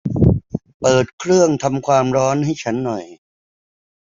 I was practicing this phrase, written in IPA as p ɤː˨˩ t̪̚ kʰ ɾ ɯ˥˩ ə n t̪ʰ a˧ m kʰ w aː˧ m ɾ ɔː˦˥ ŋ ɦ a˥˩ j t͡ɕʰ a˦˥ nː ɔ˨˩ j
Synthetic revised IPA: p ɤː˨˩ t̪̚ kʰ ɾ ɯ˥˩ ə ŋ t̪ʰ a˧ m kʰ w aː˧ m ɾ ɔː˦˥ n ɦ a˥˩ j t͡ɕʰ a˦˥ nː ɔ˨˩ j